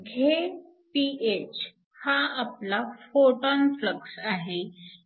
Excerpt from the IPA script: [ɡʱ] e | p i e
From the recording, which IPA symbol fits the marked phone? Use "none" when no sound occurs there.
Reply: ɡʱ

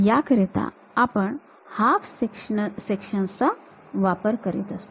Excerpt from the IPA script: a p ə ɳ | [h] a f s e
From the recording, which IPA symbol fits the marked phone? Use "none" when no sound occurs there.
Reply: h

